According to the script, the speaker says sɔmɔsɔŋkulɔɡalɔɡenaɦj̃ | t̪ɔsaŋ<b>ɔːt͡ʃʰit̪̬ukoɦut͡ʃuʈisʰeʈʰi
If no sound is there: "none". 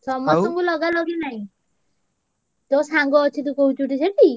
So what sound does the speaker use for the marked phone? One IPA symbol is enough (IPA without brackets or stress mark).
ɡ